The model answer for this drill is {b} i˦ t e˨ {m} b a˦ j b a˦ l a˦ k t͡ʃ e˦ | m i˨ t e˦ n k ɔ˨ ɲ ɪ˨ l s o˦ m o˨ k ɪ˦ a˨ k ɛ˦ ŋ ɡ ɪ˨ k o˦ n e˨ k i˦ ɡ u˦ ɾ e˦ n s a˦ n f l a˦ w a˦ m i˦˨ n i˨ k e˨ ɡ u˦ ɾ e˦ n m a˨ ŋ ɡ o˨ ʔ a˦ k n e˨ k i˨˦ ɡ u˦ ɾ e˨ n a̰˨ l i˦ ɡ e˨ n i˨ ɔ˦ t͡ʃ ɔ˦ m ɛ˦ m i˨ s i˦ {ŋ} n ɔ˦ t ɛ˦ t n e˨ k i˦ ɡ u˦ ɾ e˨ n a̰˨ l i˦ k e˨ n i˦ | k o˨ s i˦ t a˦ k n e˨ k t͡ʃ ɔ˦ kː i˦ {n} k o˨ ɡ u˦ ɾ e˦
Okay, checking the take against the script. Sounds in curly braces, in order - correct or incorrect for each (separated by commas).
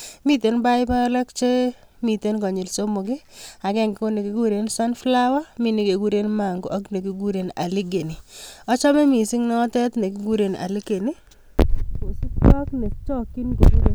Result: incorrect, incorrect, correct, correct